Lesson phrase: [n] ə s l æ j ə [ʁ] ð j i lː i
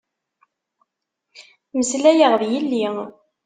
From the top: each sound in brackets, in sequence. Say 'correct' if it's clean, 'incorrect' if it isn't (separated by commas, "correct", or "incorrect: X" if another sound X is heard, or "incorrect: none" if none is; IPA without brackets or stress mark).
incorrect: m, correct